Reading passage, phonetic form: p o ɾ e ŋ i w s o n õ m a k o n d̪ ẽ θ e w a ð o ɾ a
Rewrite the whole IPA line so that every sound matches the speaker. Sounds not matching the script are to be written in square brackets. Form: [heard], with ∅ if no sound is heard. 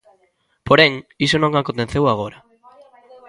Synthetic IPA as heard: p o ɾ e ŋ i [∅] s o n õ [ŋ] a k o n [t̪] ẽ θ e w a [ɣ] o ɾ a